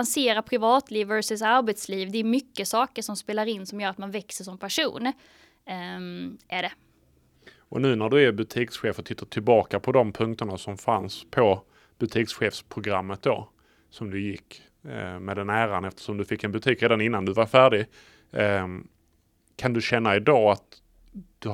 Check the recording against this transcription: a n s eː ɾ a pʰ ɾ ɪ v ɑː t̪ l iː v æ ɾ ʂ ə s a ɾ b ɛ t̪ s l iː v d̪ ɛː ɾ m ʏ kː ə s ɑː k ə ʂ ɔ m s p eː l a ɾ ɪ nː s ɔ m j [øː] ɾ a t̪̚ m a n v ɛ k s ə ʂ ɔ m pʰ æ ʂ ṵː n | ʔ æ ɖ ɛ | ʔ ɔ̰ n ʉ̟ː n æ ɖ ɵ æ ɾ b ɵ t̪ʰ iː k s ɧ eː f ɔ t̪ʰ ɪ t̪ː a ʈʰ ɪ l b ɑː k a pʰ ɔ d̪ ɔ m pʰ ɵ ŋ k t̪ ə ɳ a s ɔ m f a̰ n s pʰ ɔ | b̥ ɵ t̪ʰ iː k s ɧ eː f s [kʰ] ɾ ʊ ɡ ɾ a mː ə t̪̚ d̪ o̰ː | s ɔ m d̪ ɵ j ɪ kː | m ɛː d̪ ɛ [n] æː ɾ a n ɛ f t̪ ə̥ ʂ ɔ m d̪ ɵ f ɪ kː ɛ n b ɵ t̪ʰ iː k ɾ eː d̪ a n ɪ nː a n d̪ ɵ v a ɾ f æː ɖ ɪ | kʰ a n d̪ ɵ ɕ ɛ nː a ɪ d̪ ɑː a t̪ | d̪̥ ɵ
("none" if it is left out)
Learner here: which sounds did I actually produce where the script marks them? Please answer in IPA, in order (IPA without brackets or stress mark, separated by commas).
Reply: œː, pʰ, n